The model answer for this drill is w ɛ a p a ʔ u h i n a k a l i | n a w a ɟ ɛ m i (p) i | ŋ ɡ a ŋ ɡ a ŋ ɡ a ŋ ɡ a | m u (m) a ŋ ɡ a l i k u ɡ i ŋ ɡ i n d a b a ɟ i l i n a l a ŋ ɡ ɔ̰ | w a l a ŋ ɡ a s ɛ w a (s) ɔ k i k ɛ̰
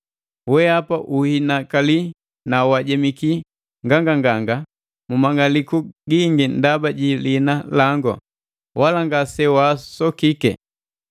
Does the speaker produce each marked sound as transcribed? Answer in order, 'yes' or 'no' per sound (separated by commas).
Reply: no, yes, yes